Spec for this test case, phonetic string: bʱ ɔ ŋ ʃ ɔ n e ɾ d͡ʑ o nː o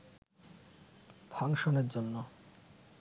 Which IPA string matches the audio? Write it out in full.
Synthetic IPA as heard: bʱ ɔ ŋ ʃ o n e ɾ d͡ʑ o nː o